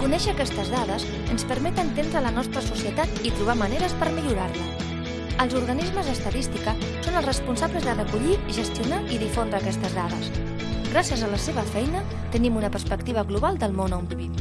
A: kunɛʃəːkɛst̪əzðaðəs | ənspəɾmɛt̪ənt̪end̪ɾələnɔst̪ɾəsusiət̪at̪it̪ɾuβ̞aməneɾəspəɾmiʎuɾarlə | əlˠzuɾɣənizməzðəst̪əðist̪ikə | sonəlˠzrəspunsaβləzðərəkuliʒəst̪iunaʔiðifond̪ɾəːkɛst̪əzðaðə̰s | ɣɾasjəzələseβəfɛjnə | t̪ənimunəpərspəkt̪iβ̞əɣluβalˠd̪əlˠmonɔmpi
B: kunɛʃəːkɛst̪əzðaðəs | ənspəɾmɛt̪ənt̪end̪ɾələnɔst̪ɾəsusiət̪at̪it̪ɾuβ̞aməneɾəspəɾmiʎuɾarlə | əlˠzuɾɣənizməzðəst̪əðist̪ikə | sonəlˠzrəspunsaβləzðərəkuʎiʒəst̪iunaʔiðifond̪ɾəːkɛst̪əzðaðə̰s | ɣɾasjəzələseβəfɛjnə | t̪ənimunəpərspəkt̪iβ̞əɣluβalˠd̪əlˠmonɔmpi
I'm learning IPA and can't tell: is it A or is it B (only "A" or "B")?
B